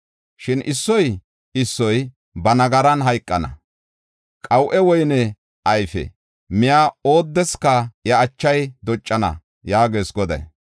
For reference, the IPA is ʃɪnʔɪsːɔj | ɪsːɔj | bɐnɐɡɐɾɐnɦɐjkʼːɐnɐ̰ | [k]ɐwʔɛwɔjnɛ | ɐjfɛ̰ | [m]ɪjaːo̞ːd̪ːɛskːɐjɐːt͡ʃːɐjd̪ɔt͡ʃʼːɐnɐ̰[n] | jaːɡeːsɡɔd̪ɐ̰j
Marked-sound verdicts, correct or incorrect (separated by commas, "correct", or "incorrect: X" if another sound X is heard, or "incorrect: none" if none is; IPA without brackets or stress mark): incorrect: kʼ, correct, incorrect: none